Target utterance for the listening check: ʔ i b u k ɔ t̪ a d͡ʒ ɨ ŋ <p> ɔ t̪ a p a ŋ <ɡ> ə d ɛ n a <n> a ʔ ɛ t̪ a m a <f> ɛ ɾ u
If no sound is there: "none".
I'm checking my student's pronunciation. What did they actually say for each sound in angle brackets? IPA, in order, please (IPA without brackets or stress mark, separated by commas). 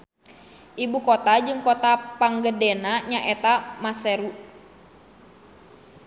k, ɡ, ɲ, s